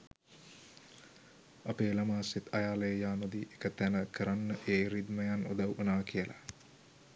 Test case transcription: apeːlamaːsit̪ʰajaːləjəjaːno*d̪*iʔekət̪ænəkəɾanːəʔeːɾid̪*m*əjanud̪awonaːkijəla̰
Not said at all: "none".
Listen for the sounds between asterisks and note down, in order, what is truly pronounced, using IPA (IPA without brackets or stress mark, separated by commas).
d̪, m